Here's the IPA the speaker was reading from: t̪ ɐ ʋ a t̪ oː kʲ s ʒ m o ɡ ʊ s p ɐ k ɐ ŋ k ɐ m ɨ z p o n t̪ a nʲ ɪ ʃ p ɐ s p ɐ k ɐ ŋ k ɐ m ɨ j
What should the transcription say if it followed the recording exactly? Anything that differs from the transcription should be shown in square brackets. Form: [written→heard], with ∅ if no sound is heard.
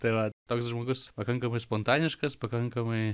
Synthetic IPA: t̪ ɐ ʋ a t̪ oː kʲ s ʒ m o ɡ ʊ s p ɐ k ɐ ŋ k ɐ m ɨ [z→s] p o n t̪ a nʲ ɪ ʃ [p→k] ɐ s p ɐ k ɐ ŋ k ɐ m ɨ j

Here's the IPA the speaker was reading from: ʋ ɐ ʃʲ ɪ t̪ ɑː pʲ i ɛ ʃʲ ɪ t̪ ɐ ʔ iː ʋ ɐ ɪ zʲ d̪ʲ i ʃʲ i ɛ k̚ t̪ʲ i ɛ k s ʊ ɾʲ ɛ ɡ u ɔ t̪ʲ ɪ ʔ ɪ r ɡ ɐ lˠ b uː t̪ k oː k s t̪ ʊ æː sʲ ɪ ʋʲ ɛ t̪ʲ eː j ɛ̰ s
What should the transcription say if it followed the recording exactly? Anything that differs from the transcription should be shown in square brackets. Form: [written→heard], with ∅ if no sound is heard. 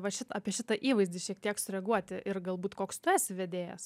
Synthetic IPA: ʋ ɐ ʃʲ ɪ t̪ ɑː pʲ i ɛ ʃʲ ɪ t̪ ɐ ʔ iː ʋ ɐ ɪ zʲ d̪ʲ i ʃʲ i ɛ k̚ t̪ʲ i ɛ k s ʊ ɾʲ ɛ ɡ u ɔ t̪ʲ ɪ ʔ ɪ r ɡ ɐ lˠ b uː t̪ k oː k s t̪ ʊ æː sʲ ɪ ʋʲ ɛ [t̪ʲ→d̪ʲ] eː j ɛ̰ s

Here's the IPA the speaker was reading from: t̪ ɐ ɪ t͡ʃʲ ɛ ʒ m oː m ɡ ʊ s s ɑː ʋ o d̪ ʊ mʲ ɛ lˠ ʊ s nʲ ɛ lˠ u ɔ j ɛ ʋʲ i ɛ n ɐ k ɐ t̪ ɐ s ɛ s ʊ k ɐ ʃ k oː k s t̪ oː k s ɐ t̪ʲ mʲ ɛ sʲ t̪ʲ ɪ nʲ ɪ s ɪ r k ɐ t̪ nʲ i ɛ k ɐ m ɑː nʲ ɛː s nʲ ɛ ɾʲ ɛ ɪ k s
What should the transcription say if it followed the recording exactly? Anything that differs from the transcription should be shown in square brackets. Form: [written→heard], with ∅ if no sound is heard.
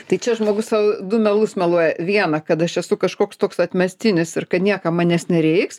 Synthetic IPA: t̪ ɐ ɪ t͡ʃʲ ɛ ʒ m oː [m→∅] ɡ ʊ s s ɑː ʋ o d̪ ʊ mʲ ɛ lˠ ʊ s [nʲ→mʲ] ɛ lˠ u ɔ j ɛ ʋʲ i ɛ n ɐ k ɐ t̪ ɐ [s→ʃ] ɛ s ʊ k ɐ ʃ k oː k s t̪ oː k s ɐ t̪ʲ mʲ ɛ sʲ t̪ʲ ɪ nʲ ɪ s ɪ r k ɐ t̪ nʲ i ɛ k ɐ m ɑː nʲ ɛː s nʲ ɛ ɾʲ ɛ ɪ k s

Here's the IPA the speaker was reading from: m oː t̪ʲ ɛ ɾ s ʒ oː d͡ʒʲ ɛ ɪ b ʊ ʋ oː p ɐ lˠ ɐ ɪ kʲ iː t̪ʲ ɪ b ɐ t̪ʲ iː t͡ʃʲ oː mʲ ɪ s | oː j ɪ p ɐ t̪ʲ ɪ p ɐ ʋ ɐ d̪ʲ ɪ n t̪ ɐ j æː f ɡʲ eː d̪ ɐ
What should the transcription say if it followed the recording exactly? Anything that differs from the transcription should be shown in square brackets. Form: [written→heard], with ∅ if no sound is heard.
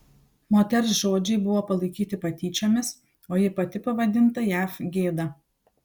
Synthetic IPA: m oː t̪ʲ ɛ ɾ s ʒ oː d͡ʒʲ ɛ ɪ b ʊ ʋ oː p ɐ lˠ ɐ ɪ kʲ iː t̪ʲ ɪ [b→p] ɐ t̪ʲ iː t͡ʃʲ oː mʲ ɪ s | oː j ɪ p ɐ t̪ʲ ɪ p ɐ ʋ ɐ d̪ʲ ɪ n t̪ ɐ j æː f ɡʲ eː d̪ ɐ

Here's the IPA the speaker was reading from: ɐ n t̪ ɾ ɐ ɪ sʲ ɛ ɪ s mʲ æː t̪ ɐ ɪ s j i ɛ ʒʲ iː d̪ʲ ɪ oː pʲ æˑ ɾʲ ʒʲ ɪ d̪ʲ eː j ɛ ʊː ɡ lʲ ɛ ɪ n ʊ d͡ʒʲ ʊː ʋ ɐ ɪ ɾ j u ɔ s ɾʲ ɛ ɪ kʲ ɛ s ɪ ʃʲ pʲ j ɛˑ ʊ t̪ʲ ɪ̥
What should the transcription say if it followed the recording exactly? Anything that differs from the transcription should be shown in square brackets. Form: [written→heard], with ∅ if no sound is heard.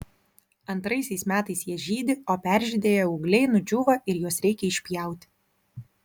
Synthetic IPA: ɐ n t̪ ɾ ɐ ɪ sʲ ɛ ɪ s mʲ æː t̪ ɐ ɪ s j i ɛ ʒʲ iː d̪ʲ ɪ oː pʲ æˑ ɾʲ ʒʲ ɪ d̪ʲ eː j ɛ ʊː ɡ lʲ ɛ ɪ n ʊ d͡ʒʲ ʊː ʋ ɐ ɪ ɾ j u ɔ s ɾʲ ɛ ɪ kʲ ɛ [s→∅] ɪ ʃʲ pʲ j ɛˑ ʊ t̪ʲ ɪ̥

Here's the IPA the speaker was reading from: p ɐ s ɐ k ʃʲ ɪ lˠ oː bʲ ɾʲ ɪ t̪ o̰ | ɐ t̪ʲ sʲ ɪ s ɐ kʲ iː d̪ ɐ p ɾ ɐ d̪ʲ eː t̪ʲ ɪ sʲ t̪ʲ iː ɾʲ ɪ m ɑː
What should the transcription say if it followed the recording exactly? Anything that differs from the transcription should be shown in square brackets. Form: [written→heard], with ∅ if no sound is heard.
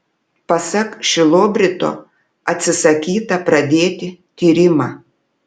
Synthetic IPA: p ɐ s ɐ k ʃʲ ɪ lˠ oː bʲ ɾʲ ɪ t̪ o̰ | ɐ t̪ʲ sʲ ɪ s ɐ kʲ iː [d̪→t̪] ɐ p ɾ ɐ d̪ʲ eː t̪ʲ ɪ [sʲ→∅] t̪ʲ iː ɾʲ ɪ m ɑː

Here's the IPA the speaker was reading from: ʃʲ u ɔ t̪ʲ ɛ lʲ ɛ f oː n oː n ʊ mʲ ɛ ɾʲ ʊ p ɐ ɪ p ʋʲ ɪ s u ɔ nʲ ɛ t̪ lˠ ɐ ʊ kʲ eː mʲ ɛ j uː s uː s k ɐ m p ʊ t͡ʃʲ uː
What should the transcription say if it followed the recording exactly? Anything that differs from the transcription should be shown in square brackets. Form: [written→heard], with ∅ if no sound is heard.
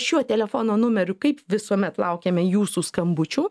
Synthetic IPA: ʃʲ u ɔ t̪ʲ ɛ lʲ ɛ f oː n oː n ʊ mʲ ɛ ɾʲ ʊ [p→k] ɐ ɪ p ʋʲ ɪ s u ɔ [nʲ→mʲ] ɛ t̪ lˠ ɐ ʊ kʲ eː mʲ ɛ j uː s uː s k ɐ m [p→b] ʊ t͡ʃʲ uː

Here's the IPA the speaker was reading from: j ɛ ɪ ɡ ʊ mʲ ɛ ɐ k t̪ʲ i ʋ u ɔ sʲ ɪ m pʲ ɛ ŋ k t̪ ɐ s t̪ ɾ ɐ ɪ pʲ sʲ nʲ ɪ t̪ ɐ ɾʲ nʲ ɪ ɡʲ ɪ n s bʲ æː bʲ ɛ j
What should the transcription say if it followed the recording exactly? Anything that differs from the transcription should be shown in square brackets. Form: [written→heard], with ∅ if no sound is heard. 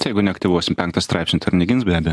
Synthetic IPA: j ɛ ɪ ɡ ʊ [mʲ→nʲ] ɛ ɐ k t̪ʲ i ʋ u ɔ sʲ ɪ m pʲ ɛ ŋ k t̪ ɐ s t̪ ɾ [ɐ→ɑ] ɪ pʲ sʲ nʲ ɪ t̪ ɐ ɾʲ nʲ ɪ ɡʲ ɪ n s bʲ æː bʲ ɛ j

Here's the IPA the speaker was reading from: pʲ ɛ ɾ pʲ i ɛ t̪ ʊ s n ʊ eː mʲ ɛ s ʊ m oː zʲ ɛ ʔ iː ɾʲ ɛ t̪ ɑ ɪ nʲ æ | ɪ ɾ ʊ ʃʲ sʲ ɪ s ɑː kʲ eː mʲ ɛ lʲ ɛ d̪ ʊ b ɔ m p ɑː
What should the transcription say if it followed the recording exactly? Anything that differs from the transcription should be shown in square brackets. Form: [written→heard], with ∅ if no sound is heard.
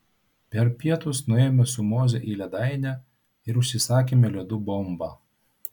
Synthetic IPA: pʲ ɛ ɾ pʲ i ɛ t̪ ʊ s n ʊ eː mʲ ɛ s ʊ m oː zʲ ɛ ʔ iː [ɾʲ→lʲ] ɛ [t̪→d̪] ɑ ɪ nʲ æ | ɪ ɾ ʊ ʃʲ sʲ ɪ s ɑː kʲ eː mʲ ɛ lʲ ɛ d̪ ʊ b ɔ m [p→b] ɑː

